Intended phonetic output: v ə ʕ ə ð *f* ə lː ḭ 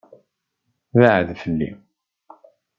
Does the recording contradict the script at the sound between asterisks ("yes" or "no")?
no